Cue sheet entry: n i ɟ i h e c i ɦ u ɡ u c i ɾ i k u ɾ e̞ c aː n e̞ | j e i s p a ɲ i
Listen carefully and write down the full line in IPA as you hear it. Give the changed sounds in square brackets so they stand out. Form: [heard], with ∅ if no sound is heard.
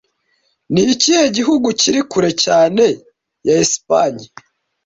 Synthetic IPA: n i [c] i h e [ɟ] i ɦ u ɡ u c i ɾ i k u ɾ e̞ c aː n e̞ | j [a] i s p a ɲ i